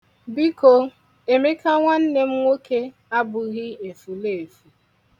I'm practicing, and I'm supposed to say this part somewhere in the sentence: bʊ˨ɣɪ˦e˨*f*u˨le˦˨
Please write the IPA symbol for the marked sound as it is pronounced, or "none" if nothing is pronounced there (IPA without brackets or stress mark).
f